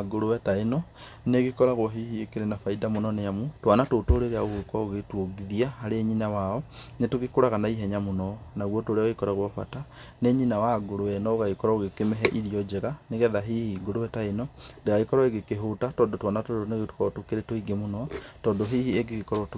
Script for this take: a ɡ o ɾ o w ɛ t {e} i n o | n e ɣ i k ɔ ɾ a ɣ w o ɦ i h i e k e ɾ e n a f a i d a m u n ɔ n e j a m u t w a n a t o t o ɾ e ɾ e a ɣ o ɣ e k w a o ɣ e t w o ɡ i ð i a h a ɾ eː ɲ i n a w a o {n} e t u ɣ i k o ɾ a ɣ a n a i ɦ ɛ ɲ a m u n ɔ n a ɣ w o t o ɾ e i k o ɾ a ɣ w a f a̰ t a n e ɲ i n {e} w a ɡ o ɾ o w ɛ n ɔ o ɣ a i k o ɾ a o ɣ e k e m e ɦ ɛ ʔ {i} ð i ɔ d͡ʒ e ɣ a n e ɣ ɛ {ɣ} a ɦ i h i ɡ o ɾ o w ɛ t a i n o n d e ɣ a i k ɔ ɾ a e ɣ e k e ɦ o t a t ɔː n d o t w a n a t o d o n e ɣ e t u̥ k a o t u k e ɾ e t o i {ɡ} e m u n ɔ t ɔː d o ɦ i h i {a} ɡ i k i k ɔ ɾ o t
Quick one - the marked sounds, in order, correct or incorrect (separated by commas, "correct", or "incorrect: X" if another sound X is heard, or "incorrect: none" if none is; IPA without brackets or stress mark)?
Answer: incorrect: a, correct, incorrect: a, correct, incorrect: ð, correct, incorrect: e